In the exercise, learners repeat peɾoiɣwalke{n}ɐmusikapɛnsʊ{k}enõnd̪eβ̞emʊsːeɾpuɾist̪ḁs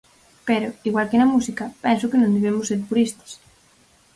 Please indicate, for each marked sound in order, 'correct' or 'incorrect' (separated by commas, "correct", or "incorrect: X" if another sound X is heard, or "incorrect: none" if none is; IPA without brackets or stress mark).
correct, correct